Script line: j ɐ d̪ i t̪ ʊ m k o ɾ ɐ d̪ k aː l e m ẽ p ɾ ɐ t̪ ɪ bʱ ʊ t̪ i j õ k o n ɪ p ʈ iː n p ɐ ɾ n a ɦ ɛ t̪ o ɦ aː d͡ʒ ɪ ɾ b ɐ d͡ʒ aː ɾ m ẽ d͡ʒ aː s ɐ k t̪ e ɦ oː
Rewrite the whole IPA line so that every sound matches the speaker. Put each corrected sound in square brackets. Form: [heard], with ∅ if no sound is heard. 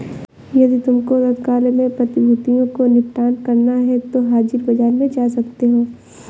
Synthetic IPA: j ɐ d̪ i t̪ ʊ m k o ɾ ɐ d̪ k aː l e m ẽ p ɾ ɐ t̪ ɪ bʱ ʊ t̪ i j õ k o n ɪ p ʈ [aː] n [k] ɐ ɾ n a ɦ ɛ t̪ o ɦ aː d͡ʒ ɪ ɾ b ɐ d͡ʒ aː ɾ m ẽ d͡ʒ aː s ɐ k t̪ e ɦ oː